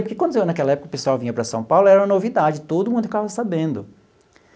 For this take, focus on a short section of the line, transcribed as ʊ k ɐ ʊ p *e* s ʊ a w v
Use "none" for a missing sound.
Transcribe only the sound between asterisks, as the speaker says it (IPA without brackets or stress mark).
e